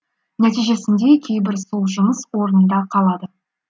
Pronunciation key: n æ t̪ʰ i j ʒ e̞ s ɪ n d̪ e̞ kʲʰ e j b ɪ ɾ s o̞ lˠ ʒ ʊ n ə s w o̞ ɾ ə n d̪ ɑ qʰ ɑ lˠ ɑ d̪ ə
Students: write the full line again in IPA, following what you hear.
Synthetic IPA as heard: n æ t̪ i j ʒ e̞ s ɪ n d̪ e̞ kʲʰ e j b ɪ ɾ s o̞ lˠ ʒ ʊ m ə s w o̞ ɾ ə n d̪ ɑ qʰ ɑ lˠ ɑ d̪ ə